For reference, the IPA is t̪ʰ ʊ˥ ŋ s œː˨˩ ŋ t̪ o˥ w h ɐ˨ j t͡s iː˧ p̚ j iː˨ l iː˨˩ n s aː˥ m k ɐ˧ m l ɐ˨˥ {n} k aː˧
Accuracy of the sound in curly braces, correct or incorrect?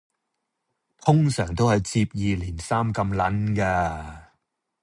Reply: correct